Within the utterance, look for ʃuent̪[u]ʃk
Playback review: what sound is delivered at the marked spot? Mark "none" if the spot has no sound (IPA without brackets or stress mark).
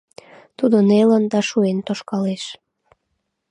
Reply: o